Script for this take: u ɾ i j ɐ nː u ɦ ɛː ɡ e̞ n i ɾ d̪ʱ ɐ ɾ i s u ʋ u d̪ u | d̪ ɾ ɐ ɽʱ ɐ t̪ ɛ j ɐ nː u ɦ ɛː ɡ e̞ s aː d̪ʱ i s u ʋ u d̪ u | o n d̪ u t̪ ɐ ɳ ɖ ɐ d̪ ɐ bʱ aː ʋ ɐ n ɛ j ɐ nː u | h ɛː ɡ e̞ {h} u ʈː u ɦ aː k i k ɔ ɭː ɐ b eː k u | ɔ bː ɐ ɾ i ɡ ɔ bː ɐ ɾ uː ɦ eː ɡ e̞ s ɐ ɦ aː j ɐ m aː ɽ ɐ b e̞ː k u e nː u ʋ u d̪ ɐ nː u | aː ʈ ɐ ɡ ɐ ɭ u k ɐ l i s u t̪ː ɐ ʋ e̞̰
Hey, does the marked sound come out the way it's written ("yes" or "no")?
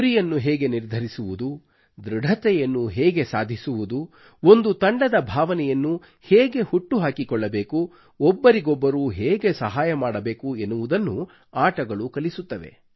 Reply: yes